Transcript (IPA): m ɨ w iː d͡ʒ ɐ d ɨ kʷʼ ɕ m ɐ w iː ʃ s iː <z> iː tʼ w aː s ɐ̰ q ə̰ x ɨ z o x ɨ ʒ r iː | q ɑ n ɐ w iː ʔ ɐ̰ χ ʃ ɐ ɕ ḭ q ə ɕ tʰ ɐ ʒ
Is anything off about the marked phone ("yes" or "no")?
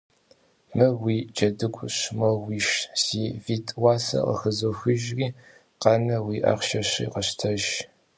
yes